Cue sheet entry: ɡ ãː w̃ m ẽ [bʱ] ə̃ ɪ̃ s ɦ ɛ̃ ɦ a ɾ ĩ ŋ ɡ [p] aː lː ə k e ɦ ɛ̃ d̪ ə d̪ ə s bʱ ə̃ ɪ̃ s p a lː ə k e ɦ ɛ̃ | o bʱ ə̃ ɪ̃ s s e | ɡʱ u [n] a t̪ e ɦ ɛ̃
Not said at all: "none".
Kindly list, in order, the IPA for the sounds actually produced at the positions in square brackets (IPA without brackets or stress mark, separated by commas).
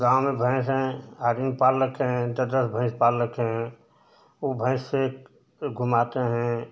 bʱ, p, m